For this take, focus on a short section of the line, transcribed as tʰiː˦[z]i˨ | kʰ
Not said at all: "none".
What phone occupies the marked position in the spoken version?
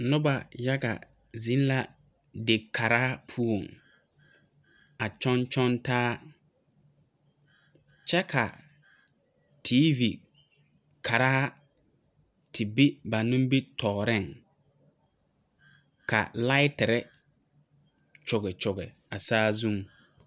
v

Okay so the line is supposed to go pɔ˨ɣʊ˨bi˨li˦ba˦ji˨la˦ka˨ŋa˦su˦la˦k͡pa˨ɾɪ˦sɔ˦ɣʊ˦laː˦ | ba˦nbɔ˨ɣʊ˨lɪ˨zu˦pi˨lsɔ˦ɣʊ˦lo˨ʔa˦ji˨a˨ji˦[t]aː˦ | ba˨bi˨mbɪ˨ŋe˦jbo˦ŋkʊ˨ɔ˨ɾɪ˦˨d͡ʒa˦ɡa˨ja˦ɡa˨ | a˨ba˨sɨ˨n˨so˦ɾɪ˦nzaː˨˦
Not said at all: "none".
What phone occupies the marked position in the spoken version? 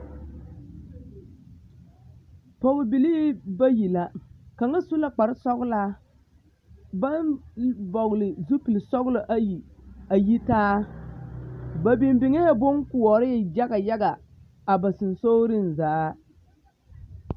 t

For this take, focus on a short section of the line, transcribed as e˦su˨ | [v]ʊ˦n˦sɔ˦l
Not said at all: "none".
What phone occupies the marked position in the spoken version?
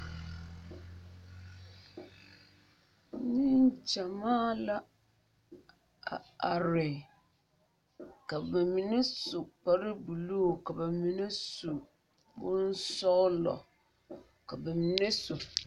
b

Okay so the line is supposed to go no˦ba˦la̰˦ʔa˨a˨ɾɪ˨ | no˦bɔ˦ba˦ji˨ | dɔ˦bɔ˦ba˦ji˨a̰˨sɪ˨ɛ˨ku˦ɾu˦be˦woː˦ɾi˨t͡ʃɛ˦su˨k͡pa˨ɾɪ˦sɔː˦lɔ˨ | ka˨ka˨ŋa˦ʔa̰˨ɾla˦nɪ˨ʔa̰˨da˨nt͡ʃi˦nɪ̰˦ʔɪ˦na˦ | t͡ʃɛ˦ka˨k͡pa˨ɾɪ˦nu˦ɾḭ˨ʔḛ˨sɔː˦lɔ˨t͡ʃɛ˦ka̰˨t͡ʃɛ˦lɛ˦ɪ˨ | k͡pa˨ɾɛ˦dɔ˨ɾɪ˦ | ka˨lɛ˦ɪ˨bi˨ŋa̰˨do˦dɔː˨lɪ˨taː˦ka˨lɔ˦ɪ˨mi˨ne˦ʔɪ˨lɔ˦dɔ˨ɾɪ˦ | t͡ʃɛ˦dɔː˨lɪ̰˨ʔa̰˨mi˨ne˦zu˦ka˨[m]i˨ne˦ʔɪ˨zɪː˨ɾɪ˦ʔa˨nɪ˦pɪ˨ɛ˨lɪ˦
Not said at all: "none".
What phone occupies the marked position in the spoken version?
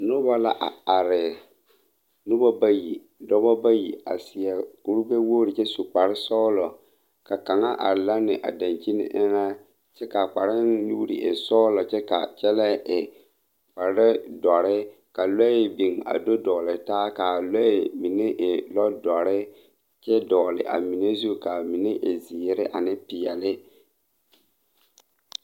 m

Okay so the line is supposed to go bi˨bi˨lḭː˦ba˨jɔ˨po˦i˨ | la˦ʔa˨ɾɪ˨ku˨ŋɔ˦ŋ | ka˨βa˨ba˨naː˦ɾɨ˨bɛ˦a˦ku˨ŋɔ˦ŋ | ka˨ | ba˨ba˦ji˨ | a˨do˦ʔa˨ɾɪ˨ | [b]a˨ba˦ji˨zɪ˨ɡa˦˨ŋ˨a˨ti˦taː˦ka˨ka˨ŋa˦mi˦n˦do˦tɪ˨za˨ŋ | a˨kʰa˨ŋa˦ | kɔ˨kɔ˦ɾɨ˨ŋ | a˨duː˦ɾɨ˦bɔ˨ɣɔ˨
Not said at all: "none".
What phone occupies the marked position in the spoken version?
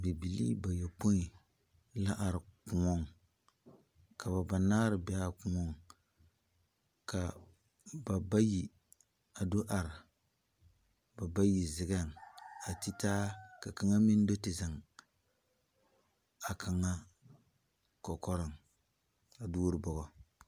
b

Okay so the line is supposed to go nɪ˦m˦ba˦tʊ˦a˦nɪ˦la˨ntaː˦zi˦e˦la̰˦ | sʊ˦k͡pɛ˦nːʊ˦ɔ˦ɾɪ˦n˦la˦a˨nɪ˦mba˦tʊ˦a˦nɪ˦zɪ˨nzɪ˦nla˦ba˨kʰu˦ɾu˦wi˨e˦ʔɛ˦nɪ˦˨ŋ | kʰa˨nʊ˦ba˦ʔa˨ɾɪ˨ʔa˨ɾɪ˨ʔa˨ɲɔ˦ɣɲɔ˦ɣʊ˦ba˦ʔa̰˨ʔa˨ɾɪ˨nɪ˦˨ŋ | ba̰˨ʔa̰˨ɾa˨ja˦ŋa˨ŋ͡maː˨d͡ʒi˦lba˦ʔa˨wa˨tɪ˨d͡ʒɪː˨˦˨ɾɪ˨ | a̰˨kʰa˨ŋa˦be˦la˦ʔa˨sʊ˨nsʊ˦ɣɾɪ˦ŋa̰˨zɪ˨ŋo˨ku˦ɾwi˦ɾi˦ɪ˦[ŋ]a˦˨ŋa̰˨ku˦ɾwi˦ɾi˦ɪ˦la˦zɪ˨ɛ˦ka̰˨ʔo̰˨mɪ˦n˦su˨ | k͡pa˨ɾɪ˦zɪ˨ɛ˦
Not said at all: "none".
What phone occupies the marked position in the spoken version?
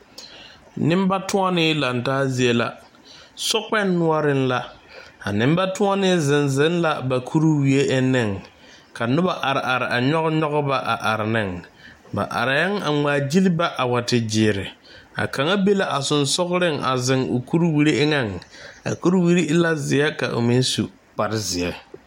ŋ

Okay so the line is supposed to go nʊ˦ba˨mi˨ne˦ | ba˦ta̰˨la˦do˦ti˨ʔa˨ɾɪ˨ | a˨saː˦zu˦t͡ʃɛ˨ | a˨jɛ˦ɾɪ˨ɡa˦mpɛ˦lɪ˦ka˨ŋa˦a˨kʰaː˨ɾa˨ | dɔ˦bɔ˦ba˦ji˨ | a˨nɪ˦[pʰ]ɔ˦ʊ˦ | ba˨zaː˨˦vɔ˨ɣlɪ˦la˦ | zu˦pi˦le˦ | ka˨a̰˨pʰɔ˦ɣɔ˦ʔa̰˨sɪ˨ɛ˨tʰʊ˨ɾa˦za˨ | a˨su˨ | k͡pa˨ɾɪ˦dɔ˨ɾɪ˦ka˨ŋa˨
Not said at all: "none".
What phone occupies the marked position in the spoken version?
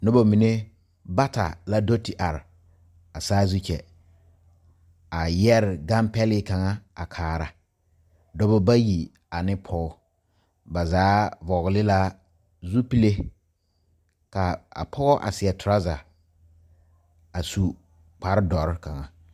pʰ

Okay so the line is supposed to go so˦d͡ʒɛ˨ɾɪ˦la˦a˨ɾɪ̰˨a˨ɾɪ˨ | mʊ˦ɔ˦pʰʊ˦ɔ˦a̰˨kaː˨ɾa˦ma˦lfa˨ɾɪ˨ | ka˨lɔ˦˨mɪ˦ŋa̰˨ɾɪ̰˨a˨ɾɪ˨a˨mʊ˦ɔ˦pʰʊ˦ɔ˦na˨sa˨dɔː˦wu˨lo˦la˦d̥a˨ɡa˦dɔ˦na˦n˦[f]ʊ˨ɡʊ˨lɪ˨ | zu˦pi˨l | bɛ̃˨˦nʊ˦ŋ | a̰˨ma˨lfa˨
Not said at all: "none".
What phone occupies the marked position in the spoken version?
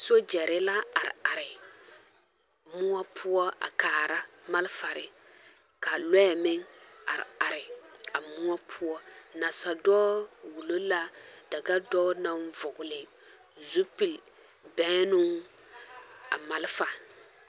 v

